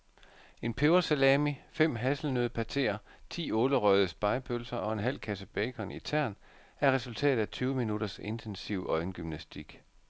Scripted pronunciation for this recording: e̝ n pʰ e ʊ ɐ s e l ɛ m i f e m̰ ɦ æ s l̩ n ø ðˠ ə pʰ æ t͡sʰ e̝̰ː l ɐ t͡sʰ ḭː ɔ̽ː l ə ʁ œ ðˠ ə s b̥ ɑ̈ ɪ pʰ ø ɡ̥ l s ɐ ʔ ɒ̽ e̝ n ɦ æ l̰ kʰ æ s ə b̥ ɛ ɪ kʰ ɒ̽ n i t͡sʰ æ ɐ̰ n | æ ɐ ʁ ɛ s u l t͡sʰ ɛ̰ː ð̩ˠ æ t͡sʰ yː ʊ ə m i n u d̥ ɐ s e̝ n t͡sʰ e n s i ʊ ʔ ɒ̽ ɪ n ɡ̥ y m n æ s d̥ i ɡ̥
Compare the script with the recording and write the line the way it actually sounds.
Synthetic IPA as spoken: e̝ n pʰ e ʊ ɐ s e l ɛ m i f e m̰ ɦ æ s l̩ n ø ðˠ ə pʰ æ t͡sʰ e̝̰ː ɐ t͡sʰ ḭː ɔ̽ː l ə ʁ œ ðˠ ə s b̥ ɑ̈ ɪ pʰ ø l s ɐ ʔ ɒ̽ e̝ n ɦ æ l̰ kʰ æ s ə b̥ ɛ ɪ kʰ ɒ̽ n i t͡sʰ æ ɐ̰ n | æ ɐ ʁ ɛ s u l t͡sʰ ɛ̰ː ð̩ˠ æ t͡sʰ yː ʊ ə m i n u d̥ ɐ s e̝ n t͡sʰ e n s i ʊ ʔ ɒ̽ ɪ n ɡ̥ y m n æ s d̥ i ɡ̥